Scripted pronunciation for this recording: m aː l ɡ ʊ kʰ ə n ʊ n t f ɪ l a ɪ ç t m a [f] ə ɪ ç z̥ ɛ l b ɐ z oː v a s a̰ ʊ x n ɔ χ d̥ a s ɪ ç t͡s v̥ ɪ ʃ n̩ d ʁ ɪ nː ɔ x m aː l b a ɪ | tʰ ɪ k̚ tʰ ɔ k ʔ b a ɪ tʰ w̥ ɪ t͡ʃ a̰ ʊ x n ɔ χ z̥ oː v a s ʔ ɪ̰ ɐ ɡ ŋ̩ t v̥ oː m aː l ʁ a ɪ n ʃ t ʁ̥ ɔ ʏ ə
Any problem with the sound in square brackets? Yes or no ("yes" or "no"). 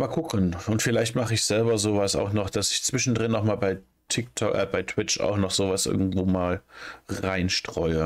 yes